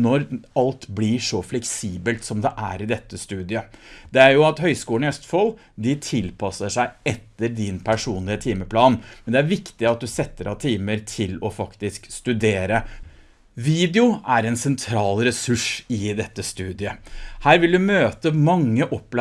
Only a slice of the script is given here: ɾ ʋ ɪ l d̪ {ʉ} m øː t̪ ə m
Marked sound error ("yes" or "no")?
no